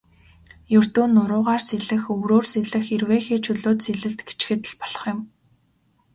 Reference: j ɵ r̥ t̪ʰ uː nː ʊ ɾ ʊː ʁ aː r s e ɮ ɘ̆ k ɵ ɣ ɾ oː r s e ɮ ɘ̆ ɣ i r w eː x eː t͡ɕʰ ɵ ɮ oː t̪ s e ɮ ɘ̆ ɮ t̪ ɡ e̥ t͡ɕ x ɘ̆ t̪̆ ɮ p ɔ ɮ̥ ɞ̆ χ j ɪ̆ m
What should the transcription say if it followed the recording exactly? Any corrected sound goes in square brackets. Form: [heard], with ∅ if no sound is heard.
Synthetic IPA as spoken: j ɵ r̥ [t̪] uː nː ʊ ɾ ʊː ʁ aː r s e ɮ ɘ̆ [x] ɵ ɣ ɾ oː r s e ɮ ɘ̆ [x] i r w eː x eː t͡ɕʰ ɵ ɮ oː t̪ s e ɮ ɘ̆ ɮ t̪ ɡ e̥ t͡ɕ x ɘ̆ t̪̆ ɮ p ɔ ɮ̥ ɞ̆ χ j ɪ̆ m